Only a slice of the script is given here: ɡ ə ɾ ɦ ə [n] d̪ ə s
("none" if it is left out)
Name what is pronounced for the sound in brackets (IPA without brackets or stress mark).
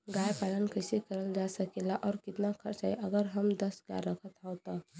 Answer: m